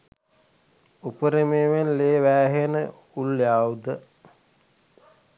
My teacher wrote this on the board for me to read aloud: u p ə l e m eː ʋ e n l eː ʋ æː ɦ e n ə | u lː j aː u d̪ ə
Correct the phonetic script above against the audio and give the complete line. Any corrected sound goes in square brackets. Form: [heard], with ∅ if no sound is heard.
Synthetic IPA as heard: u p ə [ɾ] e m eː ʋ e n l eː ʋ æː ɦ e n ə | u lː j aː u d̪ ə